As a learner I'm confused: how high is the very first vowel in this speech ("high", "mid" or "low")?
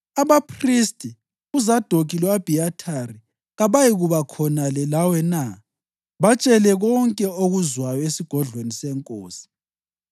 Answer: low